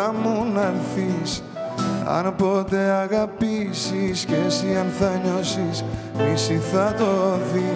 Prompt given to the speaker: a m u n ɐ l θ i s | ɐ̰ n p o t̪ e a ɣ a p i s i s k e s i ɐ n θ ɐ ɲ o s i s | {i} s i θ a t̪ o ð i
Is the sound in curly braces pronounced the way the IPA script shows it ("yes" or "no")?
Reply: yes